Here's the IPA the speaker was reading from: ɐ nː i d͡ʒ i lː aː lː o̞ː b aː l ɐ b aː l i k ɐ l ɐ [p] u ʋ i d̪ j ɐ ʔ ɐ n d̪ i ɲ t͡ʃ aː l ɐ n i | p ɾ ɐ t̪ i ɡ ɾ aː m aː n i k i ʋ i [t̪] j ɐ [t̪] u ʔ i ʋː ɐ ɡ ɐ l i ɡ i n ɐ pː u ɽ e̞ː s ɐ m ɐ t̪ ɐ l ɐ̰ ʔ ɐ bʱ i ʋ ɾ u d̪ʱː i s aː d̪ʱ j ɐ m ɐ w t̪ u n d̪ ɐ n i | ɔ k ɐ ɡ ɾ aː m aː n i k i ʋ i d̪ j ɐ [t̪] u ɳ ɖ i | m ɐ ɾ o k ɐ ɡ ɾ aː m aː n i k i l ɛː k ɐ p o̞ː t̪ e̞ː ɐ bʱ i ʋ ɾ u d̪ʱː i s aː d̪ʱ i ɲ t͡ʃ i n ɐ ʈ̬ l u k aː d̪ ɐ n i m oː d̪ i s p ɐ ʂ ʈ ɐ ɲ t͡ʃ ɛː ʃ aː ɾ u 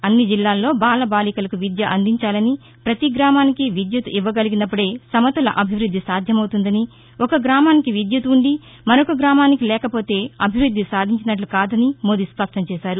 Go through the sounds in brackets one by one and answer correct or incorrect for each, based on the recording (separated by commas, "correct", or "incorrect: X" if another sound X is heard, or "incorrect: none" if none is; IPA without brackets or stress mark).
incorrect: k, incorrect: d̪, correct, correct